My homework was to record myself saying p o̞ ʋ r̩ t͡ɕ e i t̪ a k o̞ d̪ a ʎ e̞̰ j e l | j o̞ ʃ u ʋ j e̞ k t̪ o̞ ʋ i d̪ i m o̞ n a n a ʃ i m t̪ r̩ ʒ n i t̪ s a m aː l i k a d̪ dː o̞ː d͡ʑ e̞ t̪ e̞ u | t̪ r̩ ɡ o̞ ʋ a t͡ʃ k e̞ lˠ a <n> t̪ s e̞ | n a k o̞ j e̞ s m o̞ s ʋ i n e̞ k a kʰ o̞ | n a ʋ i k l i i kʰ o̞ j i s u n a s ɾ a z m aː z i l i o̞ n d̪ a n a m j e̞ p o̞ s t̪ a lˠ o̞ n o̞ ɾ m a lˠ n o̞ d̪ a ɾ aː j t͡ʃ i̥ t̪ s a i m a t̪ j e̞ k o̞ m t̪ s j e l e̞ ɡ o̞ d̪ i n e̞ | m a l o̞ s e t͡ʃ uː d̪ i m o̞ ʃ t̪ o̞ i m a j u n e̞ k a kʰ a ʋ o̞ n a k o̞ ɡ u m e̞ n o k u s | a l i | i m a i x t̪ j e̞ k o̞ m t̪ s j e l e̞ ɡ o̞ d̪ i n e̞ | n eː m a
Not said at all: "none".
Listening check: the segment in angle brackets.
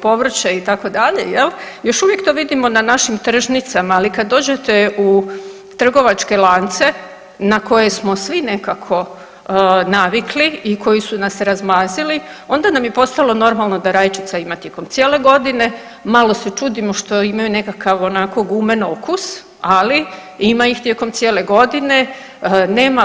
n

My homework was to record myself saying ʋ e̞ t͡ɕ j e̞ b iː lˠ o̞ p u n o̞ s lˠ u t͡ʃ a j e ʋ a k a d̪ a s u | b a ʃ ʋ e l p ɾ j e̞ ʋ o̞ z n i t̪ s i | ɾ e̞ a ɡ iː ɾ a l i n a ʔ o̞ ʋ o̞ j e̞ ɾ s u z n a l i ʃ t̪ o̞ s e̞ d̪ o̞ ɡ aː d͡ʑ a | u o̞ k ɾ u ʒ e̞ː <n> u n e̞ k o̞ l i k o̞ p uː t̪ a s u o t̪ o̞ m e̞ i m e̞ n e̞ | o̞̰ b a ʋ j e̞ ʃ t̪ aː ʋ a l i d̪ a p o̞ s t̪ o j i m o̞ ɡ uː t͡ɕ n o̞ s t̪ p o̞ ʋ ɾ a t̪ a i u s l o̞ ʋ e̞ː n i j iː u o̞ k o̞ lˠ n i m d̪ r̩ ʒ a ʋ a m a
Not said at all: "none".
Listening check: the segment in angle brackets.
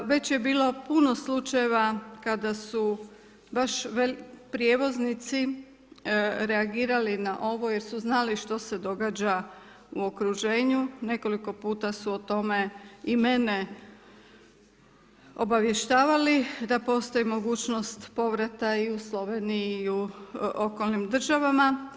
ɲ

